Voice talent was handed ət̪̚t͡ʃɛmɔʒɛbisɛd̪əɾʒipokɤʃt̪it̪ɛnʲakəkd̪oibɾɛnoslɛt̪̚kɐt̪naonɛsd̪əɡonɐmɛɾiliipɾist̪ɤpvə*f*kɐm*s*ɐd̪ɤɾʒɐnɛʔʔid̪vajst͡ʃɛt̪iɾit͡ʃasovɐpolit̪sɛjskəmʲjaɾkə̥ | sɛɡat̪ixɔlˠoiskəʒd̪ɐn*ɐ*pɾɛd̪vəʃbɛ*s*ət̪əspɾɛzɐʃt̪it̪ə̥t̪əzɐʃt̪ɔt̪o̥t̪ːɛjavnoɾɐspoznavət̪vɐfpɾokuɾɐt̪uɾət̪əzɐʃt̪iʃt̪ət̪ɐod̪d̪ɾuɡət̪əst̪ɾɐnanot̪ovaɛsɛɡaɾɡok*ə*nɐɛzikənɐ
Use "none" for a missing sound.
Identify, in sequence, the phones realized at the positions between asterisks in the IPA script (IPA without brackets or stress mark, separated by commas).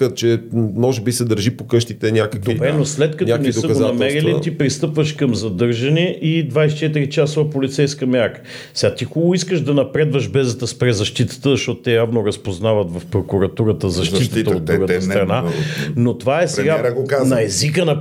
ʃ, z, ɐ, z, a